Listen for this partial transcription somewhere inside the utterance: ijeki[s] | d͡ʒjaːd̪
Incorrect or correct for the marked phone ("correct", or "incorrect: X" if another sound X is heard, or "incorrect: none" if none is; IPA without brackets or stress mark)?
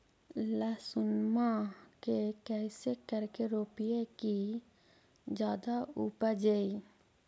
incorrect: none